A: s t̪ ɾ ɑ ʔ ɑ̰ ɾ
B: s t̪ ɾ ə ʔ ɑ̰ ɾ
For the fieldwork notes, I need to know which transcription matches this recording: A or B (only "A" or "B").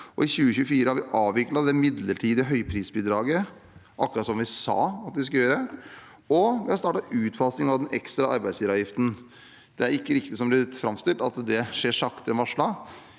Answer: A